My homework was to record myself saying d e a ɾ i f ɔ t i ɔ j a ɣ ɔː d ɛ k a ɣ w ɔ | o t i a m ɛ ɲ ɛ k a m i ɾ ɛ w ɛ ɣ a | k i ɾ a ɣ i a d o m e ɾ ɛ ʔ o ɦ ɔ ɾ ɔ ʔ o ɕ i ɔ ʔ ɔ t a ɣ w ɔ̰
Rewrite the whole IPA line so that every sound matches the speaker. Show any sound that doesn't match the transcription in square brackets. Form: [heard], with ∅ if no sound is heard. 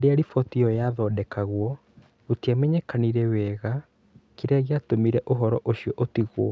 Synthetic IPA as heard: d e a ɾ i f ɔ t i ɔ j a [ð] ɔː d ɛ k a ɣ w ɔ | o t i a m ɛ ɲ ɛ k a [n] i ɾ ɛ w ɛ ɣ a | k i ɾ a ɣ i a [t] o m [i] ɾ ɛ ʔ o ɦ ɔ ɾ ɔ ʔ o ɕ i ɔ ʔ [o] t [i] ɣ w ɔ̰